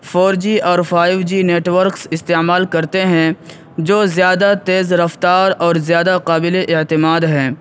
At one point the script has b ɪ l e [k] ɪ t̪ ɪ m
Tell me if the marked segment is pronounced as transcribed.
no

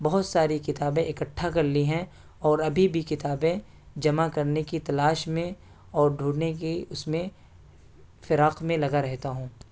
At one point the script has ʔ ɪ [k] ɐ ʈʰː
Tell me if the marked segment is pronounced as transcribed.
yes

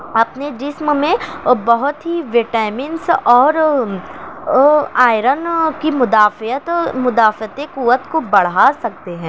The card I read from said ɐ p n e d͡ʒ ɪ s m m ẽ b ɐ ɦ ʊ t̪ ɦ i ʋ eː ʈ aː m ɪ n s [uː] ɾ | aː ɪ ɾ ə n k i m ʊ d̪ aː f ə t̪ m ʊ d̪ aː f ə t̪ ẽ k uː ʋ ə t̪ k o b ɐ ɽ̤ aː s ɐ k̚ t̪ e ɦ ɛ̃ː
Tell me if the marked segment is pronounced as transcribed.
no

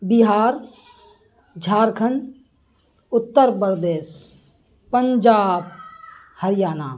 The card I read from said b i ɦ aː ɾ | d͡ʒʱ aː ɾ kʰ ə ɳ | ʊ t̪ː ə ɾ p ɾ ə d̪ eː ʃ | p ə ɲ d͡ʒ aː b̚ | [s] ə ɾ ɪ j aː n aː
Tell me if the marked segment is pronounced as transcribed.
no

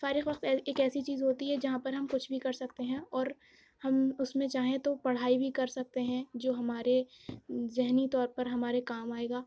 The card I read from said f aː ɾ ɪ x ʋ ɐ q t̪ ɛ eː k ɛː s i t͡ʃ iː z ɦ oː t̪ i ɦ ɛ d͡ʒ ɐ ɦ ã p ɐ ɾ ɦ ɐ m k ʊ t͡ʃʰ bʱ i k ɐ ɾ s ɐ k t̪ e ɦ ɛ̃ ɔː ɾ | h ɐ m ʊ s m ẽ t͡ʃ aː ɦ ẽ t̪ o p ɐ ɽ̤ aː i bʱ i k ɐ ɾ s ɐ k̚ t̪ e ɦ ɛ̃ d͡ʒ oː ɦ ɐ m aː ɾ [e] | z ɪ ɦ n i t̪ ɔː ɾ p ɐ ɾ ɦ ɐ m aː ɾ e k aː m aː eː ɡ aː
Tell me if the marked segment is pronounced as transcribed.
yes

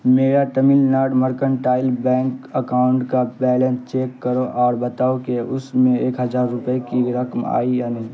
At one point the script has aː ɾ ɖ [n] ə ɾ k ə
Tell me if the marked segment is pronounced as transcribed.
no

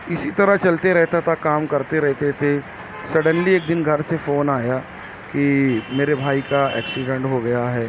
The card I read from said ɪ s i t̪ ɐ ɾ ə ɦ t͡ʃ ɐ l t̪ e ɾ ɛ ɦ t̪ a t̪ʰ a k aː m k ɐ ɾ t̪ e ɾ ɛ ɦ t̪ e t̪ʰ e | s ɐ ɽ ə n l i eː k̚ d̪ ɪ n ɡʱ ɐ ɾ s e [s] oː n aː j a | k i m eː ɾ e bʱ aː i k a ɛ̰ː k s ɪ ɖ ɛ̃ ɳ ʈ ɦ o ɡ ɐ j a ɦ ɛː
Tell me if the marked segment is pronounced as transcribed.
no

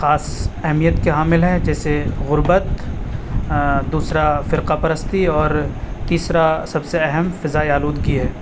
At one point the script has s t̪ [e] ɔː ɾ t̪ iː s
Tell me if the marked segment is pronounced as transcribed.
no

